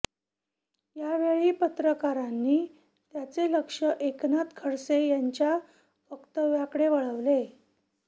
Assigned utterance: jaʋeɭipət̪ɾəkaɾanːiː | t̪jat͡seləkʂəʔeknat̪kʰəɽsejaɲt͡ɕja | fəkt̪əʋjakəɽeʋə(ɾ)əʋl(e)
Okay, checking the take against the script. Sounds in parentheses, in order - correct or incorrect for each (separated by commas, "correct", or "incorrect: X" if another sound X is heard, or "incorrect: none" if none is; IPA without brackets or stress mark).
incorrect: ɭ, correct